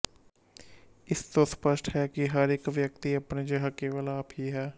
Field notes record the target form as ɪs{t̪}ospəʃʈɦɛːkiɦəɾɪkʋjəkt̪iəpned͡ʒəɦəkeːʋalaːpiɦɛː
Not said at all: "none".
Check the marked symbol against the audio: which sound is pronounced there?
t̪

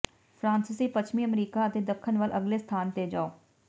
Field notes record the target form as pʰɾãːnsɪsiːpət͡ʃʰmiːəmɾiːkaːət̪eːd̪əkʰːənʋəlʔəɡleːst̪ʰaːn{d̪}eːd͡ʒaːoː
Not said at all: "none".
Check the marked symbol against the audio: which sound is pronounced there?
t̪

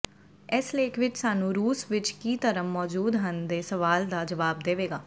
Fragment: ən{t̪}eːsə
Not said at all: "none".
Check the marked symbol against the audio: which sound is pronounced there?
d̪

